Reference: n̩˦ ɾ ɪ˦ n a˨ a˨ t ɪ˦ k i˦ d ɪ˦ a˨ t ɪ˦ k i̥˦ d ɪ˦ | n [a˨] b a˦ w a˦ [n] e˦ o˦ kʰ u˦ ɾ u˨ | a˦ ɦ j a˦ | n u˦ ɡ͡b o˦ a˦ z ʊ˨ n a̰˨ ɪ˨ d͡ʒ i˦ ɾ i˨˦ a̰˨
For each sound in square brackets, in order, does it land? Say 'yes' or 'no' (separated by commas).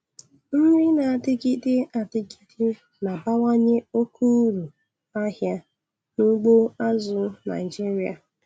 yes, no